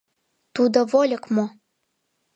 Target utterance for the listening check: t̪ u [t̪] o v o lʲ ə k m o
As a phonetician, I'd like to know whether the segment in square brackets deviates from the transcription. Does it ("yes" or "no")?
yes